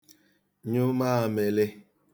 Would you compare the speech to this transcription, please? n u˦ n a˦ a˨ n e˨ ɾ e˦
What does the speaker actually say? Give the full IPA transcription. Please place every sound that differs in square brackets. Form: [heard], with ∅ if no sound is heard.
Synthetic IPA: [ɲ] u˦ [m] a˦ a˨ [m] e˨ [l] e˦